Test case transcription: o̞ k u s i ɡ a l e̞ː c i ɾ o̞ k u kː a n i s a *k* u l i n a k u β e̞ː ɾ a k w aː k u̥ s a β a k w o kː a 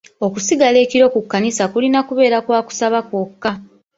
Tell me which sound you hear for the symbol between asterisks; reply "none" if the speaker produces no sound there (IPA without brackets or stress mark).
k